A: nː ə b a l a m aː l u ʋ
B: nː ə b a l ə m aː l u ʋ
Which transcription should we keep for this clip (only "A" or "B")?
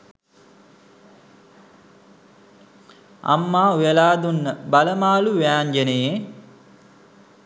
B